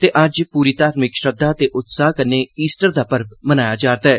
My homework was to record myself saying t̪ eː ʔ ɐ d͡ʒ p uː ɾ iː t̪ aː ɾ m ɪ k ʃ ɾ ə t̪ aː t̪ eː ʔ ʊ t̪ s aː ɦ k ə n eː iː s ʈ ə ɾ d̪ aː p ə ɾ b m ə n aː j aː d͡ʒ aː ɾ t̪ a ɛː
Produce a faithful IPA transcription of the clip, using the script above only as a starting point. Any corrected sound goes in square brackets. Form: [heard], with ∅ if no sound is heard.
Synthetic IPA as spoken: t̪ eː ʔ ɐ d͡ʒ p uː ɾ iː t̪ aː ɾ m ɪ k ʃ ɾ ə [d̪] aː t̪ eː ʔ ʊ t̪ s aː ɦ k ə n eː iː s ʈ ə ɾ d̪ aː p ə ɾ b m ə n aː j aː d͡ʒ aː ɾ t̪ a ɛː

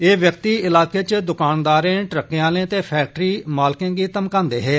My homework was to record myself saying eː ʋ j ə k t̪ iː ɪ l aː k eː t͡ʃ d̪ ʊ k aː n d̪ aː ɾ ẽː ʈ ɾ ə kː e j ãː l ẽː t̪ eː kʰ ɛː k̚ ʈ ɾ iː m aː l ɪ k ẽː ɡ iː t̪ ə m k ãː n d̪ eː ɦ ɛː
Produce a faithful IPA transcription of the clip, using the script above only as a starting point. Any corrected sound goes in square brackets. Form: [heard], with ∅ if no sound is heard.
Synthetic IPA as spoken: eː ʋ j ə k t̪ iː ɪ l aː k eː t͡ʃ d̪ ʊ k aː n d̪ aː ɾ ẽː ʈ ɾ ə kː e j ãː l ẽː t̪ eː [pʰ] ɛː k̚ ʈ ɾ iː m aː l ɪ k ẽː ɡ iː t̪ ə m k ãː n d̪ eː ɦ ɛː

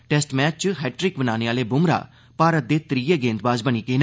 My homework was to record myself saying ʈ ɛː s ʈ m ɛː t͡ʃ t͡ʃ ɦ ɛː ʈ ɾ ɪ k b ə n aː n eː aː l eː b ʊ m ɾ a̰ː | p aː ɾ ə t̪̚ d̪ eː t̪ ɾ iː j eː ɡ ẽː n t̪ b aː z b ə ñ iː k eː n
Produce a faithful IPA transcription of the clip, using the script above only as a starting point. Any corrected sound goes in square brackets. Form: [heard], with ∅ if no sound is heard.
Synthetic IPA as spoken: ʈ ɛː s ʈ m ɛː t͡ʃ t͡ʃ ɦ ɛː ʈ ɾ ɪ k b ə n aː n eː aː l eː b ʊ m ɾ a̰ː | p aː ɾ ə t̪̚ d̪ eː t̪ ɾ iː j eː ɡ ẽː n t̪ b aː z b ə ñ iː k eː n

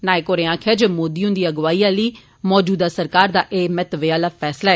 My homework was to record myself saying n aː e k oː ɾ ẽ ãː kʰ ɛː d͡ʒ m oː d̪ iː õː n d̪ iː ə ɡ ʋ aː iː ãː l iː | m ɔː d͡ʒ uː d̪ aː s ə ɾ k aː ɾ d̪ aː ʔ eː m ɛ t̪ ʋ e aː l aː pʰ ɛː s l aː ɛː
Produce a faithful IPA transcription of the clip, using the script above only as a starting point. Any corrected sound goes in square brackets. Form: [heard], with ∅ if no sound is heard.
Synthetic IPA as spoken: n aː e k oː ɾ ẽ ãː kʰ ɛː d͡ʒ m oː d̪ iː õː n d̪ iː ə ɡ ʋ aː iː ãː l iː | m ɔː d͡ʒ uː d̪ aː s ə ɾ k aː ɾ d̪ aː ʔ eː m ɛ t̪ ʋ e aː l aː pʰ ɛː s l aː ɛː

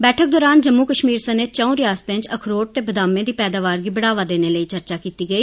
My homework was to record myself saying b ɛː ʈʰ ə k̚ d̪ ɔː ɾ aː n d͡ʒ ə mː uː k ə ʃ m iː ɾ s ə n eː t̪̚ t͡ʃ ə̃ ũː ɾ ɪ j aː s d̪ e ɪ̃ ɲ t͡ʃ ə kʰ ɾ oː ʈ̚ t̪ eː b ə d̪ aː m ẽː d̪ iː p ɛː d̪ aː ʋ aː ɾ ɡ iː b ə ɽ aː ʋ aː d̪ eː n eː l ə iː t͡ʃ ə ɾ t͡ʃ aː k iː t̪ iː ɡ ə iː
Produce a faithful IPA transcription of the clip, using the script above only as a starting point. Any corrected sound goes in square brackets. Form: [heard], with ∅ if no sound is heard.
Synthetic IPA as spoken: b ɛː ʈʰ ə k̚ d̪ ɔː ɾ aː n d͡ʒ ə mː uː k ə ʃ m iː ɾ s ə n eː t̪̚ t͡ʃ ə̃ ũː ɾ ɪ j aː s [t̪] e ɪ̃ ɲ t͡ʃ ə kʰ ɾ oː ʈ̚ t̪ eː b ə d̪ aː m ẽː d̪ iː p ɛː d̪ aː ʋ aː ɾ ɡ iː b ə ɽ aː ʋ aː d̪ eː n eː l ə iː t͡ʃ ə ɾ t͡ʃ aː k iː t̪ iː ɡ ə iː

